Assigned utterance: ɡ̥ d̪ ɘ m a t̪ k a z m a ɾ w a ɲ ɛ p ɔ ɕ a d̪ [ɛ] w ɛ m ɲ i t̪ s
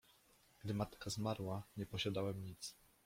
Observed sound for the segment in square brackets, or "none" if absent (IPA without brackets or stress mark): a